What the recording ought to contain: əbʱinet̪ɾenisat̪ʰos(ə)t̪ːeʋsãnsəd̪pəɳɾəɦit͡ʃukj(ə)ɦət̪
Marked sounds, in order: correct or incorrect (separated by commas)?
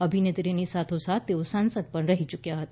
incorrect, incorrect